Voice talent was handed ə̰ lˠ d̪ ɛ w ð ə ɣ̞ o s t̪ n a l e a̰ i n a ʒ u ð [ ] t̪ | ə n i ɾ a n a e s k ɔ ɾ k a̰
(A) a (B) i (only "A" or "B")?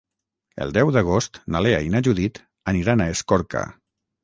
B